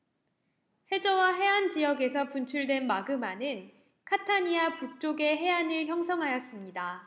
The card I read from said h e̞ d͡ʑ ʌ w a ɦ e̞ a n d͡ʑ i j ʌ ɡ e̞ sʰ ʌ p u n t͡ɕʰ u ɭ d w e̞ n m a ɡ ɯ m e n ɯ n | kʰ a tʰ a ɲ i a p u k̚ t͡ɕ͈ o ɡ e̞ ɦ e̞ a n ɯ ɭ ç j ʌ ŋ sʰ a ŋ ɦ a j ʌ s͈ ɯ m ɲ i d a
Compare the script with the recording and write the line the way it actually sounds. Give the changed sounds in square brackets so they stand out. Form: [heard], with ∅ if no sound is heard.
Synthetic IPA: h e̞ d͡ʑ ʌ w a ɦ e̞ a n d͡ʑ i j ʌ ɡ e̞ sʰ ʌ p u n t͡ɕʰ u ɭ d w e̞ n m a ɡ ɯ m [a] n ɯ n | kʰ a tʰ a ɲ i a p u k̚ t͡ɕ͈ o ɡ e̞ ɦ e̞ a n ɯ ɭ ç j ʌ ŋ sʰ [ʌ] ŋ ɦ a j ʌ s͈ ɯ m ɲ i d a